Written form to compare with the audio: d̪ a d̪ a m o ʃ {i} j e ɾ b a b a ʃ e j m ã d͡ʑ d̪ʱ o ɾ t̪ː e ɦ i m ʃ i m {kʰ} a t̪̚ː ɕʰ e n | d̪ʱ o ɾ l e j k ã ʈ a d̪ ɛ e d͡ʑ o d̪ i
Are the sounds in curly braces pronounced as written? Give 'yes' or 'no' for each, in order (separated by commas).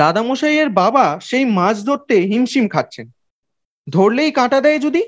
no, yes